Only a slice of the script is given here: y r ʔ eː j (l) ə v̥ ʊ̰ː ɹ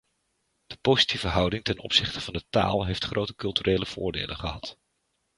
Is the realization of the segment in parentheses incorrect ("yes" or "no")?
no